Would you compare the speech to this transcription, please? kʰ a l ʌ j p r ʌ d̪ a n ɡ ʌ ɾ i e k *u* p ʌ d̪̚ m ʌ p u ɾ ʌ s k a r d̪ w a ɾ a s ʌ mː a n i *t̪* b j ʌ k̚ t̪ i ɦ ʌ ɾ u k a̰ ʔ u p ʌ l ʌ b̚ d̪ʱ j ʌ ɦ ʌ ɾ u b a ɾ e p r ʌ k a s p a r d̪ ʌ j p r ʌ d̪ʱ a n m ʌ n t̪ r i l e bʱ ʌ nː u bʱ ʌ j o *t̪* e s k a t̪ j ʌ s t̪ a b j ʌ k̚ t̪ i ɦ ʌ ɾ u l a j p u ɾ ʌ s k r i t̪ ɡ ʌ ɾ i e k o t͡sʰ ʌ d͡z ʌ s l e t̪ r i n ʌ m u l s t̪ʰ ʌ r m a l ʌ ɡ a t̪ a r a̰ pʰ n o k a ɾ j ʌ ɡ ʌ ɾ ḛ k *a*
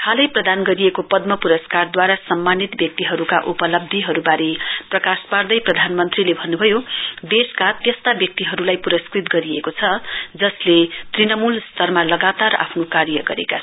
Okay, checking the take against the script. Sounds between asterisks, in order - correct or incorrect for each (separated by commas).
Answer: incorrect, correct, incorrect, correct